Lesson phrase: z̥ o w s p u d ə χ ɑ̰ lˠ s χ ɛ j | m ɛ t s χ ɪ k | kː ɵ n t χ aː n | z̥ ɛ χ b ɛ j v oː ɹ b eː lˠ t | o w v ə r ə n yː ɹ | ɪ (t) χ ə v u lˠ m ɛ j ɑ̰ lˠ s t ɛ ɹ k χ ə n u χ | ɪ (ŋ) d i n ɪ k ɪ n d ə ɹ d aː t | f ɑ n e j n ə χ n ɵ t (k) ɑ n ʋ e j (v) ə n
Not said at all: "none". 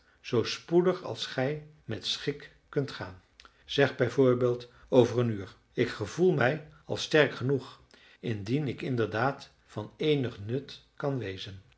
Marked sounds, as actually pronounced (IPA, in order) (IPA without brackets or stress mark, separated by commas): k, n, k, z